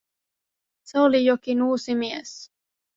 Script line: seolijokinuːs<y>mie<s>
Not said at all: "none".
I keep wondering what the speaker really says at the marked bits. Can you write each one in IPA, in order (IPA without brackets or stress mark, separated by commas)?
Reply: i, s